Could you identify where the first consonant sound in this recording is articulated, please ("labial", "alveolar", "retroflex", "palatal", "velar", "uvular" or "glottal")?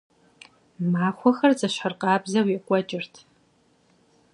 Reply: labial